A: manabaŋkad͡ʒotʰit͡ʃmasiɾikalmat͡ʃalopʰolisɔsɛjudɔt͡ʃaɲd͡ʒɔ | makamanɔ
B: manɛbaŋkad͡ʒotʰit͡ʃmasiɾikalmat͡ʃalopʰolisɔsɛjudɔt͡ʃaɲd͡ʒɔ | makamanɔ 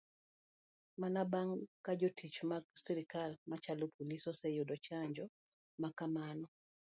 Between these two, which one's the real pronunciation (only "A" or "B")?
A